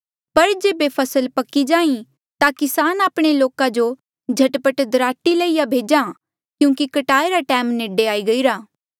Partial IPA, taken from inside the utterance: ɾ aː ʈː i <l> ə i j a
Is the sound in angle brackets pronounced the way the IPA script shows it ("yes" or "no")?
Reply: yes